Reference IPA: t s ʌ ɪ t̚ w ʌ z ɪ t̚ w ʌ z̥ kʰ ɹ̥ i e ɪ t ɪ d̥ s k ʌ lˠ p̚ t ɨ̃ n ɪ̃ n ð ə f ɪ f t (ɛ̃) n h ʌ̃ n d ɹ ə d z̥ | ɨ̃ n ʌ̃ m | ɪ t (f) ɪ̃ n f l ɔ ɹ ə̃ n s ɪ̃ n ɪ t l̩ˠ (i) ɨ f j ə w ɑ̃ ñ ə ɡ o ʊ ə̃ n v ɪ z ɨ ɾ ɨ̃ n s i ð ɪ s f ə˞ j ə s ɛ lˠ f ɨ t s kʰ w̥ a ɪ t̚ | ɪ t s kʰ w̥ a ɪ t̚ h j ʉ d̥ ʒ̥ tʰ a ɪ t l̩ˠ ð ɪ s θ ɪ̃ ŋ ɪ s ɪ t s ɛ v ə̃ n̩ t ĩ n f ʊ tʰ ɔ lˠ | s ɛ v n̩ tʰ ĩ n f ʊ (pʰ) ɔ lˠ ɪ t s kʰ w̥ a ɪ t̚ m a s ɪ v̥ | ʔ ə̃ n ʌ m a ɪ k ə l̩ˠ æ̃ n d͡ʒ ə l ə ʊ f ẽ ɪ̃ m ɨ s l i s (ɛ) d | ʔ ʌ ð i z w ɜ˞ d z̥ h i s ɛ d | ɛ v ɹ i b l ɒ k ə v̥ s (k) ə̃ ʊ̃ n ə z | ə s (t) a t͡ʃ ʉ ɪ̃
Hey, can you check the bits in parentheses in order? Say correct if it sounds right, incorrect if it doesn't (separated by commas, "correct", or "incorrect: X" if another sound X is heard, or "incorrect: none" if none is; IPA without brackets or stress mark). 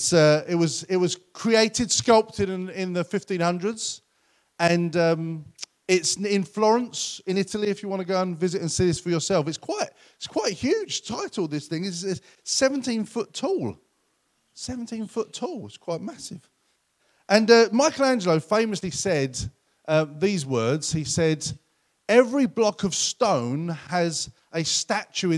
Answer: incorrect: ĩ, incorrect: s, correct, incorrect: tʰ, correct, incorrect: t, correct